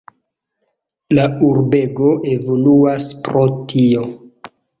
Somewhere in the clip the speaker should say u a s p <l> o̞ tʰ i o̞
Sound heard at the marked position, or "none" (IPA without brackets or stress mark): ɾ